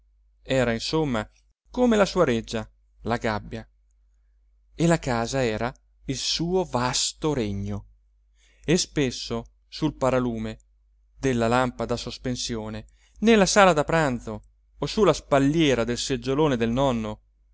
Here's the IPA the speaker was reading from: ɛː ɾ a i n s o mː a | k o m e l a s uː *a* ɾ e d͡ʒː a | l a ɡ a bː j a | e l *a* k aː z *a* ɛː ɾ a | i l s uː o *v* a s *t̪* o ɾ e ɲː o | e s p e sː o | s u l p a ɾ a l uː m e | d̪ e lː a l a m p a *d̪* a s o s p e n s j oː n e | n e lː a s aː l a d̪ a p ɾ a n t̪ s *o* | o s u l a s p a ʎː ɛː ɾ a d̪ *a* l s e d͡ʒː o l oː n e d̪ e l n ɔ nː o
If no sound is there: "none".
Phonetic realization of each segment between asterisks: a, a, a, v, t̪, d̪, o, e

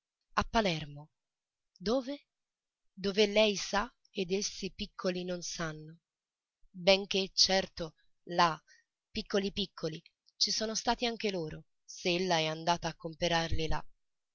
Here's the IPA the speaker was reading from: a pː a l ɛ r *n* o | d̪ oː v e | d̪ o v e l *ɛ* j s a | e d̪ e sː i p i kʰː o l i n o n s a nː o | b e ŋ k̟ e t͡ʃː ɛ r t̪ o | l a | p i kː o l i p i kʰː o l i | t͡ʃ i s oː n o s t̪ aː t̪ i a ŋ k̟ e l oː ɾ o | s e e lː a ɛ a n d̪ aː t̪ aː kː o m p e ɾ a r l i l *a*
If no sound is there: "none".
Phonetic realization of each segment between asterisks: m, ɛ, a

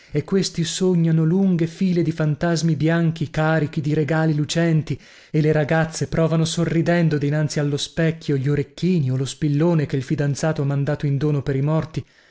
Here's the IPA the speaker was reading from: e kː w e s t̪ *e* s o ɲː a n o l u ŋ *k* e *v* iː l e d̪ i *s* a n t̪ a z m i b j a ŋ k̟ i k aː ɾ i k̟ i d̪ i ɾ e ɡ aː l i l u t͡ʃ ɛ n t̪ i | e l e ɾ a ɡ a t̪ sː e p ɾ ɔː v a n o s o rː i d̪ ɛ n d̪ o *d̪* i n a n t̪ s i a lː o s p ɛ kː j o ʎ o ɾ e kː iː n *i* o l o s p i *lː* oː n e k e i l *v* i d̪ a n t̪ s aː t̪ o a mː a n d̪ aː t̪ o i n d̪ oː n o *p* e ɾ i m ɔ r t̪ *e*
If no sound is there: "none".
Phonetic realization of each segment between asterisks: i, ɡ, f, f, d̪, i, lː, f, p, i

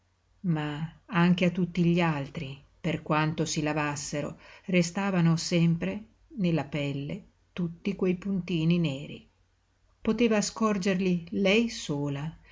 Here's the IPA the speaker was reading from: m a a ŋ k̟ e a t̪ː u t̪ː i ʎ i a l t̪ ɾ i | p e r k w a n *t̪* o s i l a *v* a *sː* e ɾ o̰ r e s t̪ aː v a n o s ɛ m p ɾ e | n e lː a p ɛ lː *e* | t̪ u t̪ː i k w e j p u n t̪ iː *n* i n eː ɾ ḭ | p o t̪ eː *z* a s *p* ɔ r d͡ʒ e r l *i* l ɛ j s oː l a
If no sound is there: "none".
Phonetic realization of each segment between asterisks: t̪, v, sː, e, n, v, k, i

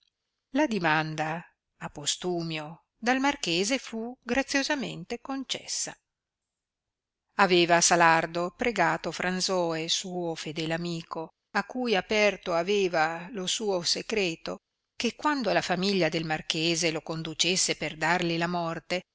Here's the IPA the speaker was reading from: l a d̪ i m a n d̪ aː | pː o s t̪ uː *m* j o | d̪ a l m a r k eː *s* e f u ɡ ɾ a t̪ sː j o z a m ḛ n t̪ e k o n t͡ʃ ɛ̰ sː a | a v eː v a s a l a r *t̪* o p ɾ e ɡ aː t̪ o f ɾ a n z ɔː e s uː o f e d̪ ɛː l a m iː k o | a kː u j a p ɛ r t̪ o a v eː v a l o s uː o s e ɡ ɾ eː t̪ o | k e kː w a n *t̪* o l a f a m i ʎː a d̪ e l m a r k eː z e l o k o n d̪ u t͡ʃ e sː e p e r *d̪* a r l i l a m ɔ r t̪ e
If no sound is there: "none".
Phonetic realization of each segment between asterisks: m, z, d̪, d̪, d̪

